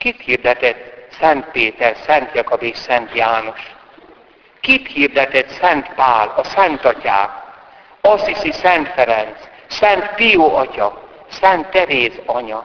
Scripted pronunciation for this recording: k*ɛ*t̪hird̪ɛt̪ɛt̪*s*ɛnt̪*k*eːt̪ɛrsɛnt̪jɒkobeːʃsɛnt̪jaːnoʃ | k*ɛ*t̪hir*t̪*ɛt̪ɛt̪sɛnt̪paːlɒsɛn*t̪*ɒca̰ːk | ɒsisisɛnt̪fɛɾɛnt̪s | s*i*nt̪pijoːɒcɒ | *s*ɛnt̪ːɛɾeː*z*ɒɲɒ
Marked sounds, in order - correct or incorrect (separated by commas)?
incorrect, correct, incorrect, incorrect, incorrect, correct, incorrect, correct, correct